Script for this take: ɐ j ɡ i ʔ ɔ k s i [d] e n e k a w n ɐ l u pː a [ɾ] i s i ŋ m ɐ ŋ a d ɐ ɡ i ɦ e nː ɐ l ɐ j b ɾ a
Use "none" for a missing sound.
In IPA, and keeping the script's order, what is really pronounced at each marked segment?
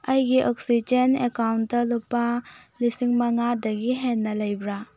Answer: d͡ʒ, l

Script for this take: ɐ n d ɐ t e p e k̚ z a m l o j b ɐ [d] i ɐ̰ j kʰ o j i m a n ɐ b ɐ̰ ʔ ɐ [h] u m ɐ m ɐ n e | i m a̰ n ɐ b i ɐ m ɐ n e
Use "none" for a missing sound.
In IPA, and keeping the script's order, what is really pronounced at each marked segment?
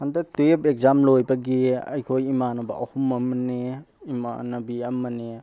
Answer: ɡ, h

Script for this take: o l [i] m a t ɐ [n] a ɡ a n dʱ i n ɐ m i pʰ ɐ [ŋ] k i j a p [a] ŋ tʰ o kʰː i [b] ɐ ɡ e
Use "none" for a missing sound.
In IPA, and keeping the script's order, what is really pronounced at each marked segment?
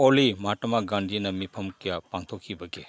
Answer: i, m, m, a, b

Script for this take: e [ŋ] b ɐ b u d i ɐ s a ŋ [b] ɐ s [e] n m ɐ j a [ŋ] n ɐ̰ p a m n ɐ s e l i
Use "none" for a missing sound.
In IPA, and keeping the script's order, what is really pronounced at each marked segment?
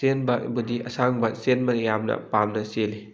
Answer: n, b, e, m

